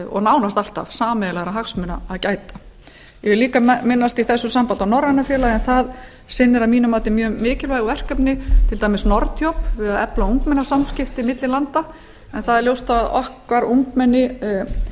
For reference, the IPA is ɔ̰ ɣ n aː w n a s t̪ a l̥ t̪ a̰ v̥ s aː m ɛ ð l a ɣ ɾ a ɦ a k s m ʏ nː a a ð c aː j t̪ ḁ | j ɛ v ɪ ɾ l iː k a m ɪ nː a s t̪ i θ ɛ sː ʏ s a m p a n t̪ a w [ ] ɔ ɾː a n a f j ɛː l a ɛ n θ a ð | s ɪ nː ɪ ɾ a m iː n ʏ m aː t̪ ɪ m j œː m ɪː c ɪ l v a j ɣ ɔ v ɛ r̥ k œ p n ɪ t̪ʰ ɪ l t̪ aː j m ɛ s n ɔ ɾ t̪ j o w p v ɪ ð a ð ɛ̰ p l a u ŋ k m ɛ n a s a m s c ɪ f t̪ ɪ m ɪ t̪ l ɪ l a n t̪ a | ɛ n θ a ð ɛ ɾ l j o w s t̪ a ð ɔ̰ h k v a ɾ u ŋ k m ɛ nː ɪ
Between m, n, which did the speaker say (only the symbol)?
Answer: n